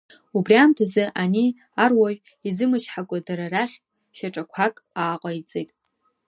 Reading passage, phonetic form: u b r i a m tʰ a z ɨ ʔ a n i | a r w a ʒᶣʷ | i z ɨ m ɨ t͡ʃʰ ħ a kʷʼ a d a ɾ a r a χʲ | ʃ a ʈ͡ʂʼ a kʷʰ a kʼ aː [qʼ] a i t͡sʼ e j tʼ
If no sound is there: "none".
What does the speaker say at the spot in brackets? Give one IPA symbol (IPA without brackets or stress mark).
qʼ